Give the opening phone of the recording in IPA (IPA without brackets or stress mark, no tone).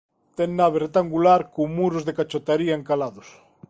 t̪